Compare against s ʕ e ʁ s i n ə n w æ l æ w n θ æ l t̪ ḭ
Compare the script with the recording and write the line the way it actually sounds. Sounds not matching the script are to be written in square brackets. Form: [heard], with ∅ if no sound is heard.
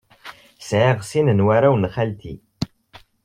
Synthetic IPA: s ʕ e ʁ s i n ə n w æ [ɾ] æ w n [χ] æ l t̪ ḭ